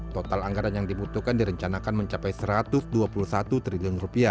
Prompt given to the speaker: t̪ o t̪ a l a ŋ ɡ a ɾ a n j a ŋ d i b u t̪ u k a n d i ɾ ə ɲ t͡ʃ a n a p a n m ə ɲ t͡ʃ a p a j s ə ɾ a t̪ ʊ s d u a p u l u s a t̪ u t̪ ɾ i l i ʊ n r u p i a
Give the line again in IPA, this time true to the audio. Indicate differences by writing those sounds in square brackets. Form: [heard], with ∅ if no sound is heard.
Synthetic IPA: t̪ o t̪ a l a ŋ ɡ a ɾ a n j a ŋ d i b u t̪ u k a n d i ɾ ə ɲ t͡ʃ a n a [k] a n m ə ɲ t͡ʃ a p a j s ə ɾ a t̪ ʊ s d u a p u l u s a t̪ u t̪ ɾ i l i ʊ n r u p i a